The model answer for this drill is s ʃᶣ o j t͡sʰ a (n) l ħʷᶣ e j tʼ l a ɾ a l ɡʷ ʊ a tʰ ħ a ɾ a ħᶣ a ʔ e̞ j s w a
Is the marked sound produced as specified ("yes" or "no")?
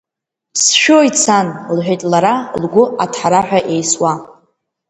yes